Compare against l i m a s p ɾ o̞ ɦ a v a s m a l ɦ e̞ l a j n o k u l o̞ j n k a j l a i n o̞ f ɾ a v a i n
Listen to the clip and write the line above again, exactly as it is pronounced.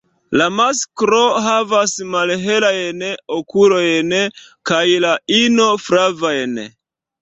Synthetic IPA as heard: l a m a s k ɾ o̞ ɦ a v a s m a l ɦ e̞ l a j n o k u l o̞ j n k a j l a i n o̞ f ɾ a v a j n

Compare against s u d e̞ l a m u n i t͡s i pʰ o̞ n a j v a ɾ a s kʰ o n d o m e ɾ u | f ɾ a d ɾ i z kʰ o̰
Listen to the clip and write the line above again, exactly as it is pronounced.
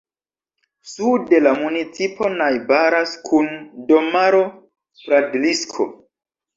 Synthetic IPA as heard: s u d e̞ l a m u n i t͡s i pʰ o̞ n a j b a ɾ a s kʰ u n d o m a ɾ o | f ɾ a d l i s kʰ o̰

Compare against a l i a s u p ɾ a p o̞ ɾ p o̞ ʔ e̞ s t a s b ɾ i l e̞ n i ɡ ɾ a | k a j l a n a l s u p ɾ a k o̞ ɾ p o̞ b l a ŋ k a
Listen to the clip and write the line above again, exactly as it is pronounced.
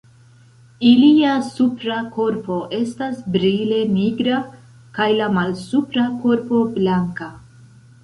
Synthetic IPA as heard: i l i a s u p ɾ a k o̞ ɾ p o̞ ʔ e̞ s t a s b ɾ i l e̞ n i ɡ ɾ a | k a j l a m a l s u p ɾ a k o̞ ɾ p o̞ b l a ŋ k a

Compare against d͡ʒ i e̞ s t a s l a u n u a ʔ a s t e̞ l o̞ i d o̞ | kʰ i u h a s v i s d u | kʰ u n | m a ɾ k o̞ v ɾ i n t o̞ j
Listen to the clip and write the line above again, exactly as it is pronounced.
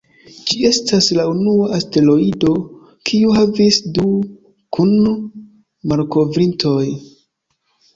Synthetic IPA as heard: d͡ʒ i e̞ s t a s l a u n u a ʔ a s t e̞ l o̞ i d o̞ | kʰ i u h a v i s d u | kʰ u n | m a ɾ k o̞ v ɾ i n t o̞ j

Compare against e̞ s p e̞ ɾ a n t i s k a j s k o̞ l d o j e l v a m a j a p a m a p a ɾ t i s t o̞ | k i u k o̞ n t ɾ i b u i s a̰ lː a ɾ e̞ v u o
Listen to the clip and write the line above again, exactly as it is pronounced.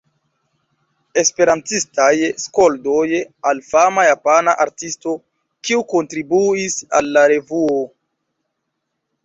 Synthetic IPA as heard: e̞ s p e̞ ɾ a n t i s t a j s k o̞ l d o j a l f a m a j a p a n a ʔ a ɾ t i s t o̞ | k i u k o̞ n t ɾ i b u i s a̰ lː a ɾ e̞ v u o

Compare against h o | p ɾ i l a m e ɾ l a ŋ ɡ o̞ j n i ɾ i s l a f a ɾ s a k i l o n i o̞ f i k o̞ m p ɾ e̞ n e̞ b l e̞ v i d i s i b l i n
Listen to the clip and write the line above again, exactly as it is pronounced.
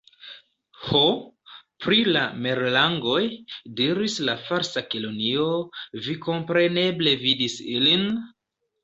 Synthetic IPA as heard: h o | p ɾ i l a m e ɾ l a ŋ ɡ o̞ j d i ɾ i s l a f a ɾ s a k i l o n i o̞ v i k o̞ m p ɾ e̞ n e̞ b l e̞ v i d i s i l i n

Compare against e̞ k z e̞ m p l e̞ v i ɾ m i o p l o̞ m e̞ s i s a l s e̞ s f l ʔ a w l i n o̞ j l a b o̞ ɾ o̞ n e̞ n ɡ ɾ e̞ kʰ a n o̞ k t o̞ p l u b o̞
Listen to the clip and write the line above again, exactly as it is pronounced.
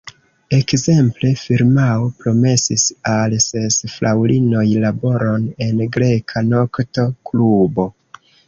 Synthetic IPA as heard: e̞ k z e̞ m p l e̞ f i ɾ m a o p ɾ o̞ m e̞ s i s a l s e̞ s f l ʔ a w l i n o̞ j l a b o̞ ɾ o̞ n e̞ n ɡ ɾ e̞ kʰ a n o̞ k t o̞ k l u b o̞

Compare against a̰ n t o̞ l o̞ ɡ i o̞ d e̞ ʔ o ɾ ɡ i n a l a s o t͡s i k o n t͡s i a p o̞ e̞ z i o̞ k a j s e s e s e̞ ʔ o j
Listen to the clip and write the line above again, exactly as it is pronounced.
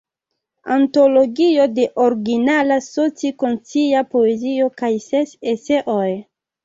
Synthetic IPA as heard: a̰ n t o̞ l o̞ ɡ i o̞ d e̞ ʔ o ɾ ɡ i n a l a s o t͡s i k o n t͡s i a p o̞ e̞ z i o̞ k a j s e s e s e̞ ʔ o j

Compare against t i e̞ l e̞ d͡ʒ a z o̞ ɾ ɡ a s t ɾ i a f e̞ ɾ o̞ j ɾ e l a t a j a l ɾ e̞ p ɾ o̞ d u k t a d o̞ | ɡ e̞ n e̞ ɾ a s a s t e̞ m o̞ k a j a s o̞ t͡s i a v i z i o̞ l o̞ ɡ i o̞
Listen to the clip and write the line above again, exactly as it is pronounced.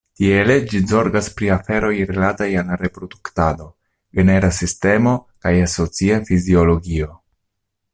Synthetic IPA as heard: t i e̞ l e̞ d͡ʒ i z o̞ ɾ ɡ a s p ɾ i a f e̞ ɾ o̞ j ɾ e l a t a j a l ɾ e̞ p ɾ o̞ d u k t a d o̞ | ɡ e̞ n e̞ ɾ a s i s t e̞ m o̞ k a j a s o̞ t͡s i a f i z i o̞ l o̞ ɡ i o̞

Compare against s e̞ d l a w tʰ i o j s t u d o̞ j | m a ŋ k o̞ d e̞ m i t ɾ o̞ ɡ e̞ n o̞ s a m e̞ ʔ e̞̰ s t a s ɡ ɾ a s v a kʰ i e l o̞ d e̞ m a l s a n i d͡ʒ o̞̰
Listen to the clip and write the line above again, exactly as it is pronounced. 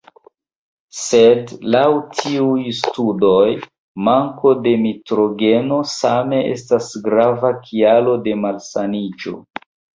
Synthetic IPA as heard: s e̞ d l a w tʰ i u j s t u d o̞ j | m a ŋ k o̞ d e̞ m i t ɾ o̞ ɡ e̞ n o̞ s a m e̞ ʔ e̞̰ s t a s ɡ ɾ a v a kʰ i a l o̞ d e̞ m a l s a n i d͡ʒ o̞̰

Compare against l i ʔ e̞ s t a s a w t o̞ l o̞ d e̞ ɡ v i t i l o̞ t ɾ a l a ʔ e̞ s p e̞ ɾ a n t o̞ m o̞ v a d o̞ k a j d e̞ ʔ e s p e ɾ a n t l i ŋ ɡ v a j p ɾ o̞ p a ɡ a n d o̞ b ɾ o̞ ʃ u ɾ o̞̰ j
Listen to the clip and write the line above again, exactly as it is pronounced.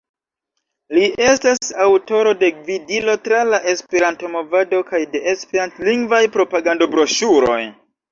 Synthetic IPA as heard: l i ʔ e̞ s t a s a w t o̞ ɾ o̞ d e̞ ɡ v i d i l o̞ t ɾ a l a ʔ e̞ s p e̞ ɾ a n t o̞ m o̞ v a d o̞ k a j d e̞ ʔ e s p e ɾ a n t l i ŋ ɡ v a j p ɾ o̞ p a ɡ a n d o̞ b ɾ o̞ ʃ u ɾ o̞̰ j

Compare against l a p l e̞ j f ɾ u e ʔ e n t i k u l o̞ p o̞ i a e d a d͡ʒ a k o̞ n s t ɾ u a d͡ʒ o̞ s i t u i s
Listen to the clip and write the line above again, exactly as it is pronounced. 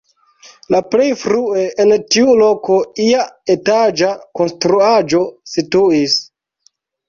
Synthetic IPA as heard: l a p l e̞ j f ɾ u e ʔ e n t i u l o̞ k o̞ i a e t a d͡ʒ a k o̞ n s t ɾ u a d͡ʒ o̞ s i t u i s

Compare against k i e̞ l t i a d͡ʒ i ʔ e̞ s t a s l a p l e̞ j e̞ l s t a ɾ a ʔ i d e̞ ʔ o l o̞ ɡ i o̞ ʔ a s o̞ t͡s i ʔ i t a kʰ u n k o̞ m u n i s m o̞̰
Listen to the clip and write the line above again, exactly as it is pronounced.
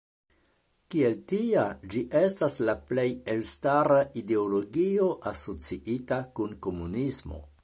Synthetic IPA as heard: k i e̞ l t i a d͡ʒ i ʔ e̞ s t a s l a p l e̞ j e̞ l s t a ɾ a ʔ i d e̞ o l o̞ ɡ i o̞ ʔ a s o̞ t͡s i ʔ i t a k u n k o̞ m u n i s m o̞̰

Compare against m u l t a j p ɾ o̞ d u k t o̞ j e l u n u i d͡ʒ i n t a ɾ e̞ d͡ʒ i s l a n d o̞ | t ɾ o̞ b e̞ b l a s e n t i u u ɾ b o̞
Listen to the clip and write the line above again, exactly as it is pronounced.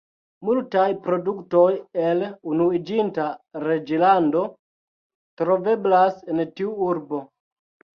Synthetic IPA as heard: m u l t a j p ɾ o̞ d u k t o̞ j e l u n u i d͡ʒ i n t a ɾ e̞ d͡ʒ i l a n d o̞ | t ɾ o̞ v e̞ b l a s e n t i u u ɾ b o̞

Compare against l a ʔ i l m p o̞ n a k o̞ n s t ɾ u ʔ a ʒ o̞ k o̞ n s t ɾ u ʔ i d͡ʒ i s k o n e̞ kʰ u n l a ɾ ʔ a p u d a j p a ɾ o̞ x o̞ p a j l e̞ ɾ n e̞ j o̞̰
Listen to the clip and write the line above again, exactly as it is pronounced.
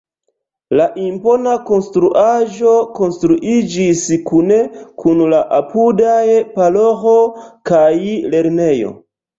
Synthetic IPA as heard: l a ʔ i m p o̞ n a k o̞ n s t ɾ u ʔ a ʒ o̞ k o̞ n s t ɾ u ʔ i d͡ʒ i s k u n e̞ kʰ u n l a ʔ a p u d a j p a l o̞ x o̞ k a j l e̞ ɾ n e̞ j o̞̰

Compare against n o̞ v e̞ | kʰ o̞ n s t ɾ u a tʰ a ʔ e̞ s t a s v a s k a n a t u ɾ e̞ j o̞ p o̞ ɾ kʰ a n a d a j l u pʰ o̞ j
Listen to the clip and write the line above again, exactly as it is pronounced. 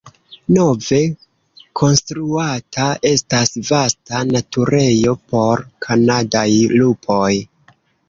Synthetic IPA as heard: n o̞ v e̞ | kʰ o̞ n s t ɾ u a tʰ a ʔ e̞ s t a s v a s t a n a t u ɾ e̞ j o̞ p o̞ ɾ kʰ a n a d a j l u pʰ o̞ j

